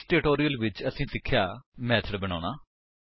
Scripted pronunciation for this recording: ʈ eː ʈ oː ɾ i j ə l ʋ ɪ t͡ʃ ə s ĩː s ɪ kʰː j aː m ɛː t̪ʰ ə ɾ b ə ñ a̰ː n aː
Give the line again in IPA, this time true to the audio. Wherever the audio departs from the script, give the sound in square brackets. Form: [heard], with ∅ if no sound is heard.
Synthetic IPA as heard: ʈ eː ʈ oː ɾ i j ə l ʋ ɪ t͡ʃ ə s ĩː s ɪ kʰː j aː m ɛː t̪ʰ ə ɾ b ə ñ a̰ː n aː